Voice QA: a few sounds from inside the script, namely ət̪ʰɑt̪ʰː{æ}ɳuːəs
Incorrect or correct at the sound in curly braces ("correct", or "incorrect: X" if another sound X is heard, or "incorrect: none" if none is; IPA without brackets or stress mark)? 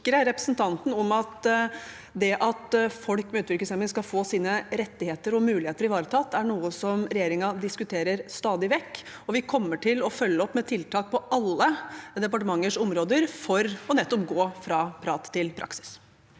correct